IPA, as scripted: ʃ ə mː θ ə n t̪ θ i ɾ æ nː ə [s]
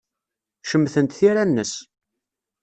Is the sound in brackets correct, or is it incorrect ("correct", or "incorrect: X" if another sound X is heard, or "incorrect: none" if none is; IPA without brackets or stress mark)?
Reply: correct